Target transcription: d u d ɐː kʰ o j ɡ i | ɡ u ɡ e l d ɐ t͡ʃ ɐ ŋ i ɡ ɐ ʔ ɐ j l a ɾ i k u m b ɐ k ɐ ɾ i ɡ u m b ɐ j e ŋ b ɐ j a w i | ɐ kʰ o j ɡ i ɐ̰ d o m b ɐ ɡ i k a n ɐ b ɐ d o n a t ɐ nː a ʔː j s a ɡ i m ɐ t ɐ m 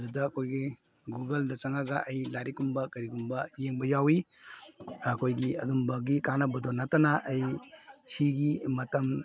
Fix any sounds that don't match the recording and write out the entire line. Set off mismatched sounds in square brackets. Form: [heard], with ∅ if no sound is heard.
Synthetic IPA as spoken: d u d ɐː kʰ o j ɡ i | ɡ u ɡ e l d ɐ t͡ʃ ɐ ŋ [a] ɡ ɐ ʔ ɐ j l a ɾ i k u m b ɐ k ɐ ɾ i ɡ u m b ɐ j e ŋ b ɐ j a w i | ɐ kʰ o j ɡ i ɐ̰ d [u] m b ɐ ɡ i k a n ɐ b ɐ d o n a t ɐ [n] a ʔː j s [i] ɡ i m ɐ t ɐ m